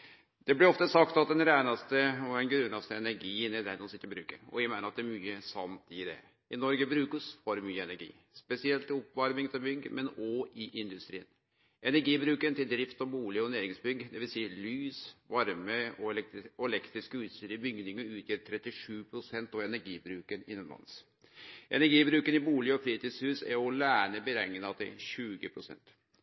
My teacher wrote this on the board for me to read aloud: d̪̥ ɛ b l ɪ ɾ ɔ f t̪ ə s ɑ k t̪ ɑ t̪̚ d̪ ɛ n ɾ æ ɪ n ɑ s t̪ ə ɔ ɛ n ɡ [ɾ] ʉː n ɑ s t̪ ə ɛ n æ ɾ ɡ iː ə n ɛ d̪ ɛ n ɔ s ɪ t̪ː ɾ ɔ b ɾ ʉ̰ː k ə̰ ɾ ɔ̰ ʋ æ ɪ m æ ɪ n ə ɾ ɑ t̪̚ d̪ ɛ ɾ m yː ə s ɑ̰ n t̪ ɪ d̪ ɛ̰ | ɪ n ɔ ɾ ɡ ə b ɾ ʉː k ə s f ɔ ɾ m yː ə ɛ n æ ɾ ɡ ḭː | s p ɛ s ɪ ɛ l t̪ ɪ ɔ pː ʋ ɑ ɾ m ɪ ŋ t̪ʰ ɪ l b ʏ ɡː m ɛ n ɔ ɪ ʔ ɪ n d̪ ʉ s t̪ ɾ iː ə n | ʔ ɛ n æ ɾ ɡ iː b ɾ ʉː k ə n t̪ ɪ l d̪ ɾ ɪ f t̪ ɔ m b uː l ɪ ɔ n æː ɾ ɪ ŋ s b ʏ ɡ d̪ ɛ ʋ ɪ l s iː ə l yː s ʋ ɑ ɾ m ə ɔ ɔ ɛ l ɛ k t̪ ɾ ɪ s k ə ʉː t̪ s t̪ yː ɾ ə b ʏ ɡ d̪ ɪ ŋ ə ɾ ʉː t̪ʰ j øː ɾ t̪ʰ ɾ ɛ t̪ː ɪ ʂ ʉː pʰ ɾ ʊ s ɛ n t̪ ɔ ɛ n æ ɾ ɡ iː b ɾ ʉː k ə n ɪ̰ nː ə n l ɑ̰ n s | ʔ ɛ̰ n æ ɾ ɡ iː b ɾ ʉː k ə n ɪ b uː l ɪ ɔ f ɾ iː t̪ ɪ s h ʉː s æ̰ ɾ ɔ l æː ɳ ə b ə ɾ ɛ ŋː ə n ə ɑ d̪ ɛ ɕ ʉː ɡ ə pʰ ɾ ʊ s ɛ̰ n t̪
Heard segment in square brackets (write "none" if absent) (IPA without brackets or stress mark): ɾ